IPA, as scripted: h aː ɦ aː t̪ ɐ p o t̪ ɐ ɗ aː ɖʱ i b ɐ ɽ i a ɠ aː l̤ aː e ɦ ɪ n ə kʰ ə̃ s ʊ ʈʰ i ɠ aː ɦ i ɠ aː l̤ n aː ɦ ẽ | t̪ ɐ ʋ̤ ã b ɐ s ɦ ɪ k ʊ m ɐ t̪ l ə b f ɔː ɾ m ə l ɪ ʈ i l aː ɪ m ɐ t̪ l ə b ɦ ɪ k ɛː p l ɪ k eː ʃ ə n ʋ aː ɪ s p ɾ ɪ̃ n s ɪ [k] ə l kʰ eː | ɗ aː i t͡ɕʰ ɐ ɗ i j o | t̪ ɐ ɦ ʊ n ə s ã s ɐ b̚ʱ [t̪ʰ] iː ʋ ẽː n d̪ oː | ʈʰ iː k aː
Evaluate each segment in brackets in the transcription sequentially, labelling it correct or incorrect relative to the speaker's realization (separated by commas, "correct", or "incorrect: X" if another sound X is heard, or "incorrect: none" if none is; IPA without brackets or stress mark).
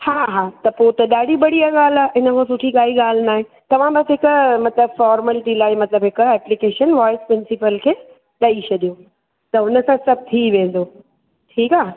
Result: incorrect: p, correct